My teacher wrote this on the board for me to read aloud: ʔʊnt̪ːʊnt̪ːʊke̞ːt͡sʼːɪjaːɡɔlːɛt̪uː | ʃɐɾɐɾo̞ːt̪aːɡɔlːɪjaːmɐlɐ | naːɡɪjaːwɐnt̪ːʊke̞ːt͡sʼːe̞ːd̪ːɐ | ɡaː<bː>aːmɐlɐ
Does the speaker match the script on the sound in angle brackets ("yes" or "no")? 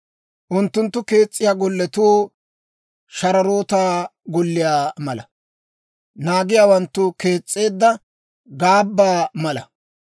yes